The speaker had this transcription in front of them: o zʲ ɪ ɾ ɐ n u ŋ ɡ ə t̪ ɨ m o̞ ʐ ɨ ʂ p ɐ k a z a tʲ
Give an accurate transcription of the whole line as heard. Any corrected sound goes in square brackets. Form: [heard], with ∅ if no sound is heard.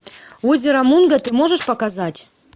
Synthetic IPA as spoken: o zʲ ɪ ɾ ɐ [m] u [n] ɡ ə t̪ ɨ m o̞ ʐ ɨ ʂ p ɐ k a z a tʲ